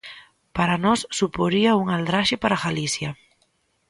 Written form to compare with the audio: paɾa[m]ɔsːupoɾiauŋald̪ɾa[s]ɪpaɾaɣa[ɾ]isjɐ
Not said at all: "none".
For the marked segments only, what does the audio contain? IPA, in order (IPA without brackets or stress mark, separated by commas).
n, ʃ, l